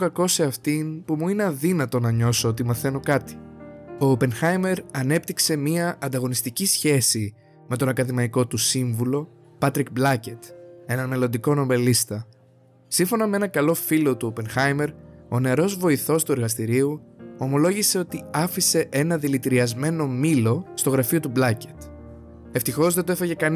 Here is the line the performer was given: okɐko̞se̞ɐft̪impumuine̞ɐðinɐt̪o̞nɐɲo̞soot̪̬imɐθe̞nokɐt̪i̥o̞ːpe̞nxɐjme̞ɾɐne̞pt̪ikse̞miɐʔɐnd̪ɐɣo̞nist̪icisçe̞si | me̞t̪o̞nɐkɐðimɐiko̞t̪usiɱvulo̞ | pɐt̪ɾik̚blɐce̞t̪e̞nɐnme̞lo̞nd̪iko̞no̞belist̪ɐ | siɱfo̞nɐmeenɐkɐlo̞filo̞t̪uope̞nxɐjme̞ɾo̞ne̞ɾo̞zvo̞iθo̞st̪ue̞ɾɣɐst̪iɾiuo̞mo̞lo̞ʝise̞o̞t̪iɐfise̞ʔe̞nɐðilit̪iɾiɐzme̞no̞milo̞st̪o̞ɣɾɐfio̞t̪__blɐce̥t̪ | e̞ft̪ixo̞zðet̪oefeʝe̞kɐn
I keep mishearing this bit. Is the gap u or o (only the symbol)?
u